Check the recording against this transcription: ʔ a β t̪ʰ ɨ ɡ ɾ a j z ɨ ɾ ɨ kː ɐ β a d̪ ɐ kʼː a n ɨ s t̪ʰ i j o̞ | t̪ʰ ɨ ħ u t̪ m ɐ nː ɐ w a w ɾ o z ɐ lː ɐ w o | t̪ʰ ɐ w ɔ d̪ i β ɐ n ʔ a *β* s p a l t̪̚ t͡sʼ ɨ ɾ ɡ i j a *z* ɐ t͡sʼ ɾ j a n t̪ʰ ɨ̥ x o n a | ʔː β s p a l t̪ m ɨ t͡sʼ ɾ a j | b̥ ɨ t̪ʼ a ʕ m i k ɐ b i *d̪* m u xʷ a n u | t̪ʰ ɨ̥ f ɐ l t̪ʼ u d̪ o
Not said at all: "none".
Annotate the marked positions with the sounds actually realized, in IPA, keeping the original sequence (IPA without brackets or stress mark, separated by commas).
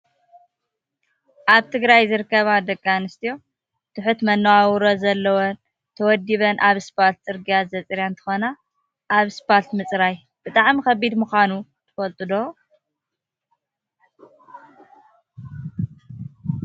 β, z, d̪